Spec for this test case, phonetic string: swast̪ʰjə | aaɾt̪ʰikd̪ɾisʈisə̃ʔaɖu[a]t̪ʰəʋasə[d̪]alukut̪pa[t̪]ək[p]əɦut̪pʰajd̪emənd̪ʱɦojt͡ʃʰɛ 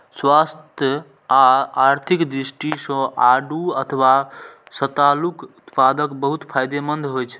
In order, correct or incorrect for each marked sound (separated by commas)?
incorrect, incorrect, incorrect, incorrect